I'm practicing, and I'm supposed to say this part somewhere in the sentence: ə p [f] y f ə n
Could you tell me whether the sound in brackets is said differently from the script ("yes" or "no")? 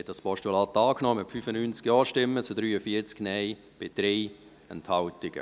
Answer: no